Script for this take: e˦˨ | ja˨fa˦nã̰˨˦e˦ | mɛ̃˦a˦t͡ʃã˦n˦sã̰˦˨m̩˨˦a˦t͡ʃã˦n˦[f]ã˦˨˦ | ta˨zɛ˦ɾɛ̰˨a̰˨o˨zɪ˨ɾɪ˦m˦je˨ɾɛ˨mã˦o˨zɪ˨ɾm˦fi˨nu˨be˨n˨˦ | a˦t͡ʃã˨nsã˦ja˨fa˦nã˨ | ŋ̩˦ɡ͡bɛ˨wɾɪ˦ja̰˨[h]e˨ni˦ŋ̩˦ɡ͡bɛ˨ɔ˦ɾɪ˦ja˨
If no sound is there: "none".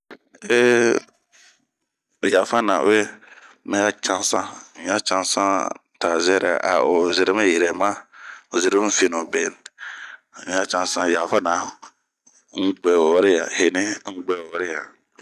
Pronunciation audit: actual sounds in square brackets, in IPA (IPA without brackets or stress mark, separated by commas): s, h